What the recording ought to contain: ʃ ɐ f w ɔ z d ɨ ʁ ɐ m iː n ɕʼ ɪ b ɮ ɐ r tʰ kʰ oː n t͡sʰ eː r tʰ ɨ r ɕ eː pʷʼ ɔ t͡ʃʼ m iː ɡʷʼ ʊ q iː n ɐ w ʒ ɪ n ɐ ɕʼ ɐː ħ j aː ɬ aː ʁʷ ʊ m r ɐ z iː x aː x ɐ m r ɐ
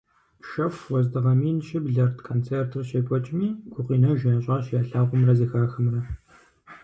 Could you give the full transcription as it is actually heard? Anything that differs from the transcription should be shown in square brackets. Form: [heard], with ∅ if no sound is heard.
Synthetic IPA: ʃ ɐ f w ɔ z d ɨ ʁ ɐ m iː n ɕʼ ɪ b ɮ ɐ r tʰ kʰ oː n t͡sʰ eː r tʰ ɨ r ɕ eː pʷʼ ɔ t͡ʃʼ m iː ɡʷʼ ʊ q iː n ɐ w ʒ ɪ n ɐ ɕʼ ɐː [ɕ] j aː ɬ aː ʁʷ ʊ m r ɐ z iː x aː x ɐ m r ɐ